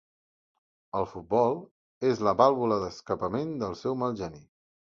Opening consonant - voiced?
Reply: yes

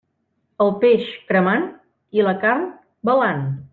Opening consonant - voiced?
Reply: yes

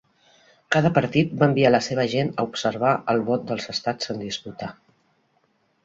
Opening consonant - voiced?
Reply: no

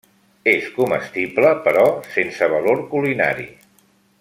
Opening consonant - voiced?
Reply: no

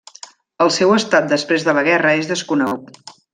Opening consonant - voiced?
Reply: yes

